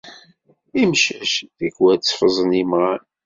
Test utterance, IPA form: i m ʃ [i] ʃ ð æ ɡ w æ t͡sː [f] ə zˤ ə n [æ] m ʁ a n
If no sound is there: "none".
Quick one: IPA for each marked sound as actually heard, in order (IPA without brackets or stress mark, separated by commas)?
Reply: æ, f, i